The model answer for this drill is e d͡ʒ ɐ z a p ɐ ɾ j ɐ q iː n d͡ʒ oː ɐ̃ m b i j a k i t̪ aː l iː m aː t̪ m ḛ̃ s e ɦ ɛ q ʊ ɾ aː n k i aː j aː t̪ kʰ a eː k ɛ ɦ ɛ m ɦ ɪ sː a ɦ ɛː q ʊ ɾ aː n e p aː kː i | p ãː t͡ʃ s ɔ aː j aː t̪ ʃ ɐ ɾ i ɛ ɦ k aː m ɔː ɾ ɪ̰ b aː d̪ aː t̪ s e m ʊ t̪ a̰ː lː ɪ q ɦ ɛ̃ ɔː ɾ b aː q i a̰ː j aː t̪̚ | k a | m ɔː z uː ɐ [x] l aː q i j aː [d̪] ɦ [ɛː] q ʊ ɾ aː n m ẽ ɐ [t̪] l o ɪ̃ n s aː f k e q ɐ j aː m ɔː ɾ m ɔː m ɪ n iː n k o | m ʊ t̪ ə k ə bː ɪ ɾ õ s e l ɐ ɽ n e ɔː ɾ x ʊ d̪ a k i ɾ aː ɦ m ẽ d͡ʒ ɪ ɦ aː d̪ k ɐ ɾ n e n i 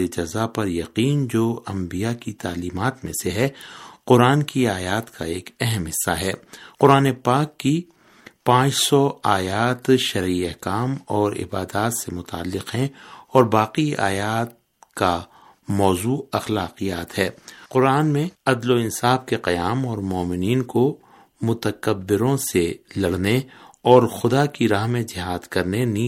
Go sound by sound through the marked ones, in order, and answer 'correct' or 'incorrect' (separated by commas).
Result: correct, incorrect, correct, incorrect